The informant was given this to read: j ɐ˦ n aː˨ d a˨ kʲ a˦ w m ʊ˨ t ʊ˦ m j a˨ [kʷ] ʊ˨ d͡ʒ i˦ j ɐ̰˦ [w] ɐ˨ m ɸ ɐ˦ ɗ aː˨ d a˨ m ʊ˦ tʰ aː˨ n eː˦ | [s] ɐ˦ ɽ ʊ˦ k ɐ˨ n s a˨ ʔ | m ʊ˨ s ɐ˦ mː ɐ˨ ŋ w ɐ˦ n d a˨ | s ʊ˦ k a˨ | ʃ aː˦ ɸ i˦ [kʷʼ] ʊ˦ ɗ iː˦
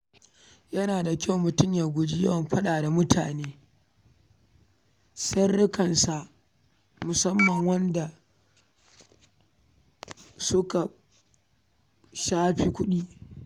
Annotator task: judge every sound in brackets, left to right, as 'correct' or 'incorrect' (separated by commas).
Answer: incorrect, correct, correct, incorrect